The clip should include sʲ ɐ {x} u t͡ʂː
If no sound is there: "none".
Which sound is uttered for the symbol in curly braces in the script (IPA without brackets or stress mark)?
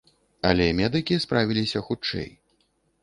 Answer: x